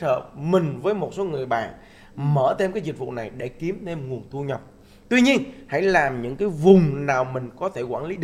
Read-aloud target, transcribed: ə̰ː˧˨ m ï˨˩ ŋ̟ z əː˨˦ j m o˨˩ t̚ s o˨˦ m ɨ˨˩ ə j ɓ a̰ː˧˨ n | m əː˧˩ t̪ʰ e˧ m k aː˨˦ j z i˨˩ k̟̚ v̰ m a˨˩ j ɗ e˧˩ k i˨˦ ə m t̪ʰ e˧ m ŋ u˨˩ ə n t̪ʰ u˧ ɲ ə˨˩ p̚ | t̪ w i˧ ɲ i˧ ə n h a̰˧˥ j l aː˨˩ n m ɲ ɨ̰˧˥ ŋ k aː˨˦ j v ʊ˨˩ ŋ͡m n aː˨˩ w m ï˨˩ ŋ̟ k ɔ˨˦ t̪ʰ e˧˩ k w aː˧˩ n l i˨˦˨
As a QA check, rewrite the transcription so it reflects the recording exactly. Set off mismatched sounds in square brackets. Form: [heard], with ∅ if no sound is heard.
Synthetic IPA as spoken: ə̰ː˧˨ m ï˨˩ ŋ̟ [v] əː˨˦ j m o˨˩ t̚ s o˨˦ [ŋ] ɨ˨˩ ə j ɓ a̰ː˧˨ n | m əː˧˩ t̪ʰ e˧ m k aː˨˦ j z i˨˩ k̟̚ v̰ [n] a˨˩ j ɗ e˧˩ k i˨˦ ə m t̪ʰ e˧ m ŋ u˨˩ ə n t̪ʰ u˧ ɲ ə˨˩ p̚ | t̪ w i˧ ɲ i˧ ə n h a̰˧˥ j l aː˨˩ [∅] m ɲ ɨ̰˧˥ ŋ k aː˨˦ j v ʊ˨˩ ŋ͡m n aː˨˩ w m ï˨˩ ŋ̟ k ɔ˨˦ t̪ʰ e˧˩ k w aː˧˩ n l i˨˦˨